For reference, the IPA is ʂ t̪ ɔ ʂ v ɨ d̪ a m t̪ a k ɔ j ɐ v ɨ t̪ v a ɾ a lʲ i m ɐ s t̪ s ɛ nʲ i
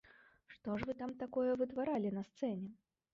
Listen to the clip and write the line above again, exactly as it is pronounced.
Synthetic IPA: ʂ t̪ ɔ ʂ v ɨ t̪ a m t̪ a k ɔ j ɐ v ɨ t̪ v a ɾ a lʲ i n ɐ s t̪ s ɛ nʲ ɛ